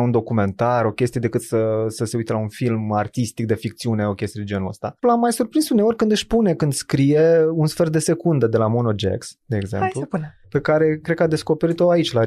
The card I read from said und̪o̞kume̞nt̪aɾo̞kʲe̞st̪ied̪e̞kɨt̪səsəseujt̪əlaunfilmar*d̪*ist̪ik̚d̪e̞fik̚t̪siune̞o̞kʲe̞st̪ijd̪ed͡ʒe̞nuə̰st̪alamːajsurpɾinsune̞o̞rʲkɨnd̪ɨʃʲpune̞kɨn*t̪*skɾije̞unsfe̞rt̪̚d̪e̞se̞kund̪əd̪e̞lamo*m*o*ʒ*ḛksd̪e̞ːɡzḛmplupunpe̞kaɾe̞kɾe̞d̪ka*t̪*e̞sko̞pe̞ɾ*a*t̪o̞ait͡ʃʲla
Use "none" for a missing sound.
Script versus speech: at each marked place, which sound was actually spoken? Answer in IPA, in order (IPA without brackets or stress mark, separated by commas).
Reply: t̪, d̪, n, d͡ʒ, d̪, i